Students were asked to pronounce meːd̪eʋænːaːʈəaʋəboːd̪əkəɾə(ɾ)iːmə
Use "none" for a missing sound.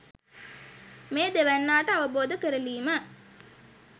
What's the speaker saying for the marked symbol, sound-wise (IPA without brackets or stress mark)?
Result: l